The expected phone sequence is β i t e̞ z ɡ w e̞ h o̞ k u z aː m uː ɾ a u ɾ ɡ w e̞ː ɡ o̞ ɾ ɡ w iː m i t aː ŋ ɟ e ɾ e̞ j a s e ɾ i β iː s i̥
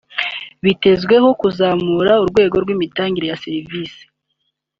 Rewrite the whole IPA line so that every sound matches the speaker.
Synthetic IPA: β i t e̞ z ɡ w e̞ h o̞ k u z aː m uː ɾ a u ɾ ɡ w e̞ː ɡ o̞ ɾ ɡ w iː m i t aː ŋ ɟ i ɾ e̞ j a s e ɾ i v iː s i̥